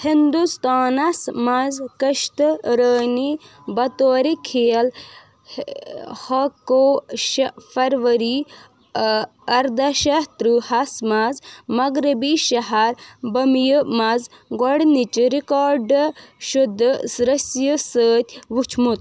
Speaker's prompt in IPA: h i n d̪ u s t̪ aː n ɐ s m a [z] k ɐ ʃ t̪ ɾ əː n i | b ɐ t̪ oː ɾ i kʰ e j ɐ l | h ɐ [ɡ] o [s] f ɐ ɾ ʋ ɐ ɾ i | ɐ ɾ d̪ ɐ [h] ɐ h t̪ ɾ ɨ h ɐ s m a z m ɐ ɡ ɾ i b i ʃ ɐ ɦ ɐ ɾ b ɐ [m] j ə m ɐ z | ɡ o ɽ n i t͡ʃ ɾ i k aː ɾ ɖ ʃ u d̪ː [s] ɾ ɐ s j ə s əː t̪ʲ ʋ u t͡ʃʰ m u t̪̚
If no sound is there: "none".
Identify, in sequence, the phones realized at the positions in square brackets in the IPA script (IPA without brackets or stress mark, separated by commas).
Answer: z, k, ʃ, ʃ, m, s